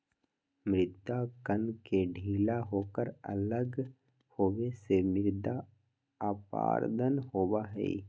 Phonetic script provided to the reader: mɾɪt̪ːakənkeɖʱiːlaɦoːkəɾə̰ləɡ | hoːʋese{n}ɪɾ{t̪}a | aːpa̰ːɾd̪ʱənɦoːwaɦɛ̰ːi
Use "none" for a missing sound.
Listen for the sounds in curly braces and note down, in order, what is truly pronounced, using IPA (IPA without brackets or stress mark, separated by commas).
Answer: m, d̪